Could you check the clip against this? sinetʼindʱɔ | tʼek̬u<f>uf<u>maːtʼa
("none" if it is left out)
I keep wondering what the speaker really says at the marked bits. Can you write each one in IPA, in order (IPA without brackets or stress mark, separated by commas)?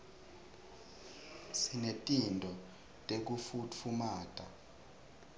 f, u